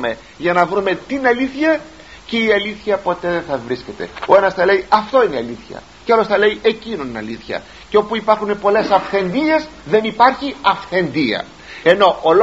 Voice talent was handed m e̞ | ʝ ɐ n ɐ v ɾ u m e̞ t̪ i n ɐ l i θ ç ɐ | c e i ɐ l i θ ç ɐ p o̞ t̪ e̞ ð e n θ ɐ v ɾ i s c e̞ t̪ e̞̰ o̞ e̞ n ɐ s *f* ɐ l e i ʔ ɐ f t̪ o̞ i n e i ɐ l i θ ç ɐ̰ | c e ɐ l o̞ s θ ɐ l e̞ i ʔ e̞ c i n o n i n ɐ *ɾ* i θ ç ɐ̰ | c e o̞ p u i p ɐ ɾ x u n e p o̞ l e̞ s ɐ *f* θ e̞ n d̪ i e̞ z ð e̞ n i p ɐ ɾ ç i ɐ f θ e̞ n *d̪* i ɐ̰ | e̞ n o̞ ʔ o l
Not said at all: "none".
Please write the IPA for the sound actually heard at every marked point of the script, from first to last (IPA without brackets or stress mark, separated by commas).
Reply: θ, l, f, d̪